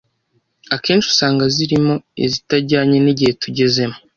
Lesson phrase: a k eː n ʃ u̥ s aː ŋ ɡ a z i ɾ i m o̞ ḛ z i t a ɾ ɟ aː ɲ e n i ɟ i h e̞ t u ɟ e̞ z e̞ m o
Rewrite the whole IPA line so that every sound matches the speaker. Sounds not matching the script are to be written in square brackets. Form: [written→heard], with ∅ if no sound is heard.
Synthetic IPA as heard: a k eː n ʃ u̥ s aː ŋ ɡ a z i ɾ i m o̞ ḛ z i t a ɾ ɟ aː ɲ e n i ɟ i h e̞ t u ɟ e̞ z e̞ m o

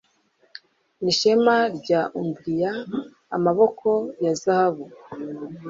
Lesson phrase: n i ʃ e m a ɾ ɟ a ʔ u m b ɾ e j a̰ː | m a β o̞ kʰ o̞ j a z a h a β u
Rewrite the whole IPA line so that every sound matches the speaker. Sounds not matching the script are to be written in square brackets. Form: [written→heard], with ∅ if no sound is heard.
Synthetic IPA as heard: n i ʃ e m a ɾ ɟ a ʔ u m b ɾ [e→i] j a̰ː | m a β o̞ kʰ o̞ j a z a h a β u

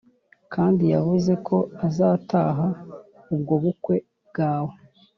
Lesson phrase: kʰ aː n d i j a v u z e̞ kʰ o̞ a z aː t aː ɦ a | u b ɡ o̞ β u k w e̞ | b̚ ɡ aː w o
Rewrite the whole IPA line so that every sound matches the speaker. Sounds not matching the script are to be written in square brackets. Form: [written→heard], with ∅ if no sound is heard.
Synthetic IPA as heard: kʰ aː n d i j a v u z e̞ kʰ o̞ a z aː t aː ɦ a | u b ɡ o̞ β u k w e̞ | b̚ ɡ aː w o

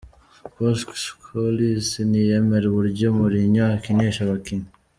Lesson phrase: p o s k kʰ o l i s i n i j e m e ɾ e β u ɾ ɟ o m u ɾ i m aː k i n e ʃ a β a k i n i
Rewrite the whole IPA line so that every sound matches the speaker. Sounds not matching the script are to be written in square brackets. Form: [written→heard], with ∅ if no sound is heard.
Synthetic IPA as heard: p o s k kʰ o l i s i n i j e m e ɾ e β u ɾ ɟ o m u ɾ i [m→ɲ] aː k i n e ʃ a β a k i n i

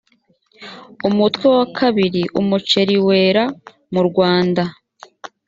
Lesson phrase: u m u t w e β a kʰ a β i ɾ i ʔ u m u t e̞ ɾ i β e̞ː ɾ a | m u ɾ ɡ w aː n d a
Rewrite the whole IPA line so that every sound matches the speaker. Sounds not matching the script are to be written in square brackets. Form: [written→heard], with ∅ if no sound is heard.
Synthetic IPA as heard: u m u t w e [β→w] a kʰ a β i ɾ i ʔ u m u [t→t͡ʃ] e̞ ɾ i [β→w] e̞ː ɾ a | m u ɾ ɡ w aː n d a

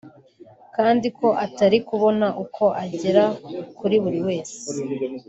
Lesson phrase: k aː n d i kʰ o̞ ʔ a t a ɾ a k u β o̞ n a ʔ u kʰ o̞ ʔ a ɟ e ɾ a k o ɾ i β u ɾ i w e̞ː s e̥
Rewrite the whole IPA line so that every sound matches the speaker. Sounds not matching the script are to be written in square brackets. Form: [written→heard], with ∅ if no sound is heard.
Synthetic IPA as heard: k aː n d i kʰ o̞ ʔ a t a ɾ [a→i] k u β o̞ n a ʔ u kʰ o̞ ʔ a ɟ e ɾ a k [o→u] ɾ i β u ɾ i w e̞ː s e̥

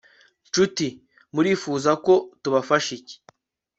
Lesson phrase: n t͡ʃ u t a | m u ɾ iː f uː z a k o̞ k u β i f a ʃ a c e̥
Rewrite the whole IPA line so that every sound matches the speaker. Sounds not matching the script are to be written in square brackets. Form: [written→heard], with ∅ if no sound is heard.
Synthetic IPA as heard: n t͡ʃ u t [a→i] | m u ɾ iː f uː z a k o̞ [k→t] u β [i→a] f a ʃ [a→i] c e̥

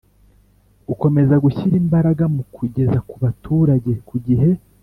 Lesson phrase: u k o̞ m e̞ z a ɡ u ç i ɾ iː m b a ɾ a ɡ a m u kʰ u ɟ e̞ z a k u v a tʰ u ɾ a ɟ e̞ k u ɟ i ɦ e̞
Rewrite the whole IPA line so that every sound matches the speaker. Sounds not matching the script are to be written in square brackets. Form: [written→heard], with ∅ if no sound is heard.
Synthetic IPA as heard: u k o̞ m e̞ z a ɡ u ç i ɾ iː m b a ɾ a ɡ a m u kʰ u ɟ e̞ z a k u [v→β] a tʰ u ɾ a ɟ e̞ k u ɟ i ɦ e̞

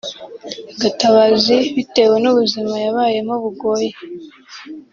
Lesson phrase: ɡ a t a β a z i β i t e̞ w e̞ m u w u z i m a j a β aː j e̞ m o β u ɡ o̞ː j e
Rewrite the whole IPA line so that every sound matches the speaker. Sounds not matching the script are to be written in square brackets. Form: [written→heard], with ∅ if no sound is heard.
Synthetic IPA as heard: ɡ a t a β a z i β i t e̞ w e̞ [m→n] u [w→β] u z i m a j a β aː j e̞ m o β u ɡ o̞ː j e

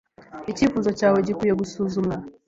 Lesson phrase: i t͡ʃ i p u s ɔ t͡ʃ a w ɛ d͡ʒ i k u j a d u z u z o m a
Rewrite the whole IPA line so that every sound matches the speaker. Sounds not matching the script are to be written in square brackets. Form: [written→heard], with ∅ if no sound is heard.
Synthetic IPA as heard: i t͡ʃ i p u [s→z] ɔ t͡ʃ a w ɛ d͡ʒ i k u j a [d→ɡ] u [z→s] u z [o→u] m a

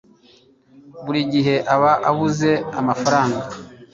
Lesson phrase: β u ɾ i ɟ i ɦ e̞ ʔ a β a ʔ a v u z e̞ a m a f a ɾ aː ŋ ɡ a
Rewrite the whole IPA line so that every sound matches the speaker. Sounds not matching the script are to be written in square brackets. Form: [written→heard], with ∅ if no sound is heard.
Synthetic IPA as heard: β u ɾ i ɟ i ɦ e̞ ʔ a β a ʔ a [v→β] u z e̞ a m a f a ɾ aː ŋ ɡ a

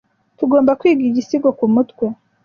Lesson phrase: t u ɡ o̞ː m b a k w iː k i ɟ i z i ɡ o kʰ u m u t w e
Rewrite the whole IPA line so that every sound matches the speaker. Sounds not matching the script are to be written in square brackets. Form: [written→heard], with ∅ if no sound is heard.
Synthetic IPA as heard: t u ɡ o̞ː m b a k w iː [k→ɡ] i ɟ i [z→s] i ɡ o [kʰ→k] u m u t w e

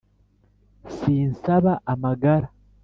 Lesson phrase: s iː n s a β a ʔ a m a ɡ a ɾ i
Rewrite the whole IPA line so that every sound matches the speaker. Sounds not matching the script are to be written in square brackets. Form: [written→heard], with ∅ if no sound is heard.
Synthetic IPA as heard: s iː n s a β a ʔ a m a ɡ a ɾ [i→a]

